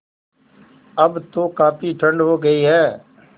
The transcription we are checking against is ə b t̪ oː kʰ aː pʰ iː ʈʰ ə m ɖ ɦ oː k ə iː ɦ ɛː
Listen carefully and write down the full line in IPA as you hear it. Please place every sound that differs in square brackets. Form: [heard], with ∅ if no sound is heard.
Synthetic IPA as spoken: ə b t̪ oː [k] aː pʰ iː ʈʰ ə [ɳ] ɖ ɦ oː [ɡ] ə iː ɦ ɛː